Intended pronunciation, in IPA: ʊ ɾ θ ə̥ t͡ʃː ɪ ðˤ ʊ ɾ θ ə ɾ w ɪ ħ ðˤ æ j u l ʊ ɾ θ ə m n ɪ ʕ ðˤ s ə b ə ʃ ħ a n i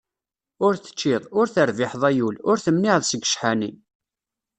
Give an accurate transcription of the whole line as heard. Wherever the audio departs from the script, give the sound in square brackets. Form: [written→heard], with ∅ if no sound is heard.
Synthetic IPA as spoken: ʊ ɾ θ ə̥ t͡ʃː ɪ ðˤ ʊ ɾ θ ə ɾ [w→v] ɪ ħ ðˤ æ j u l ʊ ɾ θ ə m n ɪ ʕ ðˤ s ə [b→ɡ] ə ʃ ħ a n i